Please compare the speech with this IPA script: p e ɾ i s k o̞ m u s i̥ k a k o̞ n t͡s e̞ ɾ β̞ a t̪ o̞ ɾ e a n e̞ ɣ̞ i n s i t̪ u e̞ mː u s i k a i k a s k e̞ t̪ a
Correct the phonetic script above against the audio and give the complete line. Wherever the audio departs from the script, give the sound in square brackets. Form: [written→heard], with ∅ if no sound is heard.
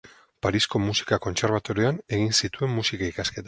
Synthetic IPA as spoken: p [e→a] ɾ i s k o̞ m u s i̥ k a k o̞ n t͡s e̞ ɾ β̞ a t̪ o̞ ɾ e a n e̞ ɣ̞ i n s i t̪ u e̞ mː u s i k a i k a s k e̞ t̪ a